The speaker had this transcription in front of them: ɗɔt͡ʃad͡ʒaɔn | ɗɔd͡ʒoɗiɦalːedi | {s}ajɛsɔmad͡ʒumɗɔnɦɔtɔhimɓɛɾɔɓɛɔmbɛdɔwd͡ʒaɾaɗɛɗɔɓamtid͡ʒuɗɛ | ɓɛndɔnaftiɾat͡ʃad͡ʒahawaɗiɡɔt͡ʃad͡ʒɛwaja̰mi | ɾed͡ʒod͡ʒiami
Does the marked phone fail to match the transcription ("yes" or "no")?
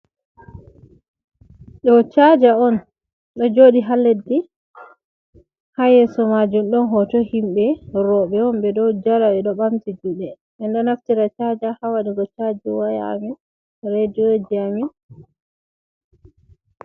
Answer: yes